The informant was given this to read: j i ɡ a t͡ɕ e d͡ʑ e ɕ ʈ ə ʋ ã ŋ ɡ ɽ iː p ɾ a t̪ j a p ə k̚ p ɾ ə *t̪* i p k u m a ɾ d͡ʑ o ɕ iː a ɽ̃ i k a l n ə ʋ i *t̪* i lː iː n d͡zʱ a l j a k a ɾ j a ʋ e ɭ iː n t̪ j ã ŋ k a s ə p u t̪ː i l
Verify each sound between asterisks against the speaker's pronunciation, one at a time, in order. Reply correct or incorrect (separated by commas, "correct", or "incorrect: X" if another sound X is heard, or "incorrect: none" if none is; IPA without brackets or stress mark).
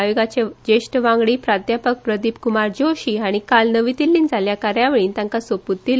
incorrect: d̪, correct